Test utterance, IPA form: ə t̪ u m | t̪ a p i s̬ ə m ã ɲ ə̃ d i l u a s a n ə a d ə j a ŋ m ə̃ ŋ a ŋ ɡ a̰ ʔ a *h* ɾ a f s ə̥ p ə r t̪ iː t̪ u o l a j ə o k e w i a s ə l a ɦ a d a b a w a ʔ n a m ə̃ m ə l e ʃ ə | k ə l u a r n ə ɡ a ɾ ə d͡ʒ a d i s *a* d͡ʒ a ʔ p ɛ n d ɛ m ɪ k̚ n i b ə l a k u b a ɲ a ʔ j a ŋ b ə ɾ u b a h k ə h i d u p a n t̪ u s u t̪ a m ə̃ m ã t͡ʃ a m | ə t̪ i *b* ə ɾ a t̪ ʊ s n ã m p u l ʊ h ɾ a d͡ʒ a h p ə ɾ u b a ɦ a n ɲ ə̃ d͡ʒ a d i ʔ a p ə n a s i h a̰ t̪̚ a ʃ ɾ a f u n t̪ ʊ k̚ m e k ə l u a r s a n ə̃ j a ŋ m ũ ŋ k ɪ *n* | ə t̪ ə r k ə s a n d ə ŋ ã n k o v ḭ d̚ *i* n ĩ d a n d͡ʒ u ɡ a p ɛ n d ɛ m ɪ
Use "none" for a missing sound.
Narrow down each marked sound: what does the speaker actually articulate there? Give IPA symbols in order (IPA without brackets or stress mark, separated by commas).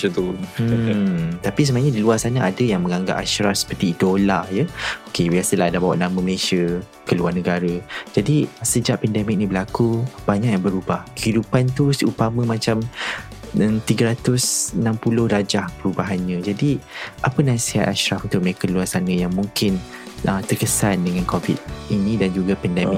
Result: ʃ, ə, ɡ, n, i